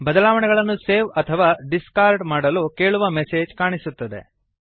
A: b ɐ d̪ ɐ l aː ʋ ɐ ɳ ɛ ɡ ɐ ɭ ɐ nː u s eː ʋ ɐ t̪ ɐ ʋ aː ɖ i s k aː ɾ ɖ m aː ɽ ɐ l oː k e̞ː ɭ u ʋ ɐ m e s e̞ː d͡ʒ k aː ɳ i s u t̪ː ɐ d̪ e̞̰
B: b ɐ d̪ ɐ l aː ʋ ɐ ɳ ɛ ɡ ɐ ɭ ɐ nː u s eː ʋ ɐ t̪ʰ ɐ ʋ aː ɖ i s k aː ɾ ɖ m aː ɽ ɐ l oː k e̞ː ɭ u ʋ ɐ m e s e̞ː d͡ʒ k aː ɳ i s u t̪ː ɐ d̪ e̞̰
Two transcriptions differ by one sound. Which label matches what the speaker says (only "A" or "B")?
B